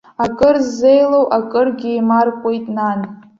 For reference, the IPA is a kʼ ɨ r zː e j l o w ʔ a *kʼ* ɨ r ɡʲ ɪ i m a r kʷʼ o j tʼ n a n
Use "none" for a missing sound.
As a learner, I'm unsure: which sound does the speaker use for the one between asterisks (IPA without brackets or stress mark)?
kʼ